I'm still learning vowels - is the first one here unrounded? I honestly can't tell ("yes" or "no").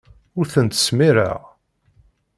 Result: no